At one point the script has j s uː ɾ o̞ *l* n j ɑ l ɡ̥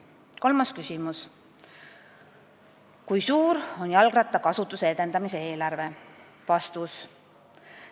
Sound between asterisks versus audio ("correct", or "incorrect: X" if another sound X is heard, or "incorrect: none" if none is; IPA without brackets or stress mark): incorrect: none